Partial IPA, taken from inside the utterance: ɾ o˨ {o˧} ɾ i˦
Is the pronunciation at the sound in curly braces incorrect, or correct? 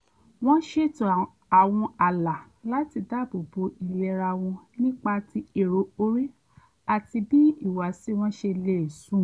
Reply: correct